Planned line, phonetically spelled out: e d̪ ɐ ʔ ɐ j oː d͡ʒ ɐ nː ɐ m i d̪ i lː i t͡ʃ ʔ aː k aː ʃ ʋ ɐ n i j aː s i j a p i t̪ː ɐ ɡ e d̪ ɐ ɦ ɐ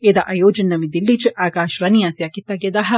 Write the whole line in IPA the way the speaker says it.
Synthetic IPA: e d̪ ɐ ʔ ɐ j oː d͡ʒ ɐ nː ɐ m i d̪ i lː i t͡ʃ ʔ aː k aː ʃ ʋ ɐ n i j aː s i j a k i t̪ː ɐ ɡ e d̪ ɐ ɦ ɐ

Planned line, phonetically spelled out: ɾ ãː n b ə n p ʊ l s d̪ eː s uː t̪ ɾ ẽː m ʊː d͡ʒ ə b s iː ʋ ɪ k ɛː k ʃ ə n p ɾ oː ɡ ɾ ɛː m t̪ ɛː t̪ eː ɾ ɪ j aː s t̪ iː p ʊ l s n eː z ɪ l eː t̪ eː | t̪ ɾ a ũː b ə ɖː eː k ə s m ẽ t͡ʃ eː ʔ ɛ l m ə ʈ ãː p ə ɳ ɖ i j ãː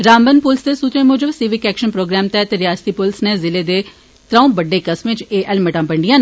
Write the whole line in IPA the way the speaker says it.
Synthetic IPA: ɾ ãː m b ə n p ʊ l s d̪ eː s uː t̪ ɾ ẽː m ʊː d͡ʒ ə b s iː ʋ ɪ k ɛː k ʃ ə n p ɾ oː ɡ ɾ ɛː m t̪ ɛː t̪ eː ɾ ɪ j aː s t̪ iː p ʊ l s n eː z ɪ l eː d̪ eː | t̪ ɾ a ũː b ə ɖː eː k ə s m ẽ t͡ʃ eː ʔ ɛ l m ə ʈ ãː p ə ɳ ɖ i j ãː

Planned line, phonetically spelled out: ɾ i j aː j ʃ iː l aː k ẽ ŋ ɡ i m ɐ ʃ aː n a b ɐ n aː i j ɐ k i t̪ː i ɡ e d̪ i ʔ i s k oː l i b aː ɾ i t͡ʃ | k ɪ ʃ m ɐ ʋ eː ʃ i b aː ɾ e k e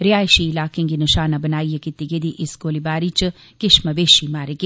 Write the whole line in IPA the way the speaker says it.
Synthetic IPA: ɾ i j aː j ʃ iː l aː k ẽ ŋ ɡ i n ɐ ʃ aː n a b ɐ n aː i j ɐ k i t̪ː i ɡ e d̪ i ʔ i s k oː l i b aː ɾ i t͡ʃ | k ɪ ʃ m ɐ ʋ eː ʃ i m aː ɾ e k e

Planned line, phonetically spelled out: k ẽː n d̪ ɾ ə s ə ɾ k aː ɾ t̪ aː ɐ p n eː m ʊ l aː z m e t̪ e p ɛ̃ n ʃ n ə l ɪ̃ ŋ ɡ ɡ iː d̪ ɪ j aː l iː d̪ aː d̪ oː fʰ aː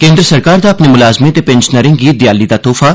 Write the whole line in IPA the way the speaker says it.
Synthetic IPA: k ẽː n d̪ ɾ ə s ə ɾ k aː ɾ d̪ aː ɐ p n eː m ʊ l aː z m e t̪ e p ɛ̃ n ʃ n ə ɾ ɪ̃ ŋ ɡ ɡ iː d̪ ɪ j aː l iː d̪ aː t̪ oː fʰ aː

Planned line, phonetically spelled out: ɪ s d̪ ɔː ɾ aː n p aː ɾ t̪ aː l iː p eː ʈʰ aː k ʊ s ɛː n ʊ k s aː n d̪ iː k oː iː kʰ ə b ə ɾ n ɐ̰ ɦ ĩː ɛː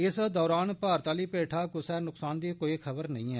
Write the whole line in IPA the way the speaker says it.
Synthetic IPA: ɪ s d̪ ɔː ɾ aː n p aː ɾ t̪ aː l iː p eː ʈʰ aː k ʊ s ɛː n ʊ k s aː n d̪ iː k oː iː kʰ ə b ə ɾ n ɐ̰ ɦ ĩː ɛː

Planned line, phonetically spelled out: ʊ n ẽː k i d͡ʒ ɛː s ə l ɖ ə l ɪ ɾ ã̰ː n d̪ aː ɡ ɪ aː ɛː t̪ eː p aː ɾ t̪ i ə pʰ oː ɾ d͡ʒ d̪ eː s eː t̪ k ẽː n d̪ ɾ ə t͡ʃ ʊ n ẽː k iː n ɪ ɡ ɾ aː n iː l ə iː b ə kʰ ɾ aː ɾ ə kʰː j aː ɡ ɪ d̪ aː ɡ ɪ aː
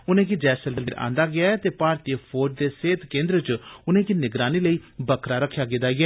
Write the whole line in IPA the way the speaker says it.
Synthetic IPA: ʊ n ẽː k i d͡ʒ ɛː s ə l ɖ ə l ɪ ɾ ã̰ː n d̪ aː ɡ ɪ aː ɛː t̪ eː p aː ɾ t̪ i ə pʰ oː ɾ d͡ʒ d̪ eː s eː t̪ k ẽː n d̪ ɾ ə t͡ʃ ʊ n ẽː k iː n ɪ ɡ ɾ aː n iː l ə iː b ə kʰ ɾ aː ɾ ə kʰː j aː ɡ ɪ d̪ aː ɡ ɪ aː

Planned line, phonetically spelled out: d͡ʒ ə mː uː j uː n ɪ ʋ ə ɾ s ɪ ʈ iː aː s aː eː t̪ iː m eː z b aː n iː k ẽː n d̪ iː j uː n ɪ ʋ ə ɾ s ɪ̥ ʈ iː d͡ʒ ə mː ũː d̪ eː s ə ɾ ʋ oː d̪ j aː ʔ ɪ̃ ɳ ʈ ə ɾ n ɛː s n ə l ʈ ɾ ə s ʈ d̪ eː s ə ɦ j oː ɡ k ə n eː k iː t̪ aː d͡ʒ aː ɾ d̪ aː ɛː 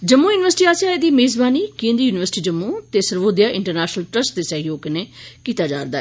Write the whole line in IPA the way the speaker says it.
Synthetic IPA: d͡ʒ ə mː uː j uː n ɪ ʋ ə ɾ s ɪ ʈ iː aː s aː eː d̪ iː m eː z b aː n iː k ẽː n d̪ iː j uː n ɪ ʋ ə ɾ s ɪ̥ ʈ iː d͡ʒ ə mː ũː t̪ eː s ə ɾ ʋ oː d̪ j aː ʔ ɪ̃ ɳ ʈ ə ɾ n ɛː ʃ n ə l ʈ ɾ ə s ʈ d̪ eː s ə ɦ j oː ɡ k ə n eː k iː t̪ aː d͡ʒ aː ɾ d̪ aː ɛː

